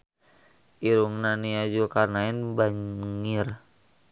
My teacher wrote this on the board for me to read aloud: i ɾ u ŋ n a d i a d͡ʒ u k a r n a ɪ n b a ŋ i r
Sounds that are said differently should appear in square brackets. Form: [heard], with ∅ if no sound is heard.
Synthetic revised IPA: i ɾ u ŋ n a [n] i a d͡ʒ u k a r n a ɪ n b a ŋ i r